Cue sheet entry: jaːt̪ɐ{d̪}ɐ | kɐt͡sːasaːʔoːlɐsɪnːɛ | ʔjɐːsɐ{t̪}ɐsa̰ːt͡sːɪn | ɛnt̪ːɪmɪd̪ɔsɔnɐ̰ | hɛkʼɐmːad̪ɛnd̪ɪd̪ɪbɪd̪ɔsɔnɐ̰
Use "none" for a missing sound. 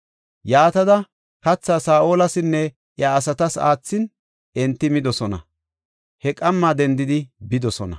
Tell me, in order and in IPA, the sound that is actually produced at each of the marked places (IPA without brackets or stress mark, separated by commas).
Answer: d̪, t̪